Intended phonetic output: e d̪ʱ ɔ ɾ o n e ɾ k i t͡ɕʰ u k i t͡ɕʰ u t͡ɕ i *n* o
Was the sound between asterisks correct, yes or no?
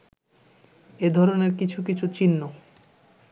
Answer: no